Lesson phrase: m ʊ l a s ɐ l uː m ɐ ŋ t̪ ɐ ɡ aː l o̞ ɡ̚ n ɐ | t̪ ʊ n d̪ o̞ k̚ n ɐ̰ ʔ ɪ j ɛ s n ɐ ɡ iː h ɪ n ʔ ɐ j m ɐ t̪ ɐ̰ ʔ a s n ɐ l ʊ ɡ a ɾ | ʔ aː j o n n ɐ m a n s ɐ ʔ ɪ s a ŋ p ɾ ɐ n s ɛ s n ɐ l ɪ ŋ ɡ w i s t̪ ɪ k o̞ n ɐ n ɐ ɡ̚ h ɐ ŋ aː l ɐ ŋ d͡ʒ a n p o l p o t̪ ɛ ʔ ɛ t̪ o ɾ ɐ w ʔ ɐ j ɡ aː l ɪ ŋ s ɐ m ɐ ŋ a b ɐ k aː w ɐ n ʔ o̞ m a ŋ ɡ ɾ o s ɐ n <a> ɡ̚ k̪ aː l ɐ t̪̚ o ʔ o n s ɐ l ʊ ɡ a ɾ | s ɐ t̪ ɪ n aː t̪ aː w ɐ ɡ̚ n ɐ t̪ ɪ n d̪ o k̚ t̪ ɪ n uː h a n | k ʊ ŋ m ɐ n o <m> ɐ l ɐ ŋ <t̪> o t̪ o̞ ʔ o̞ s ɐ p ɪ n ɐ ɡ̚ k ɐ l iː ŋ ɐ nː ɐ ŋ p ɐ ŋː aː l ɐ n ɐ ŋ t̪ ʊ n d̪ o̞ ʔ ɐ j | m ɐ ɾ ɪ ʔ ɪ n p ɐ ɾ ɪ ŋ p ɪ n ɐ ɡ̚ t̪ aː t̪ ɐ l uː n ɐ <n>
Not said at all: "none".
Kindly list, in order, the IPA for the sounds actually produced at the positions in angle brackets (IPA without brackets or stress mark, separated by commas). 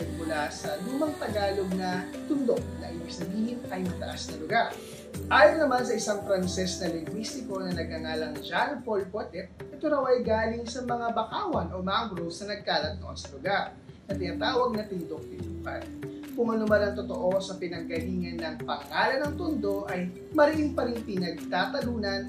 ɐ, m, t̪, n